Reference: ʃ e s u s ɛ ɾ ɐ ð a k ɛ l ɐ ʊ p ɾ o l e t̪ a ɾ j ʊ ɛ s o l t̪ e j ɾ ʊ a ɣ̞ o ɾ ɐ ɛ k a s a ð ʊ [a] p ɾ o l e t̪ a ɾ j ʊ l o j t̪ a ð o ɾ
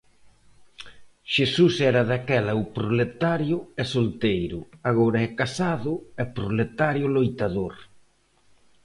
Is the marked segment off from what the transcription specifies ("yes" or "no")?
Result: yes